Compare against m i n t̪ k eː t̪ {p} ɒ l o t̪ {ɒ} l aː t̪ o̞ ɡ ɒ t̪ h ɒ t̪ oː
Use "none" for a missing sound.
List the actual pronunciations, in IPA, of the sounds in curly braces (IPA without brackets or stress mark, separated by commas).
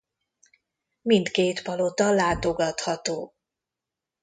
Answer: p, ɒ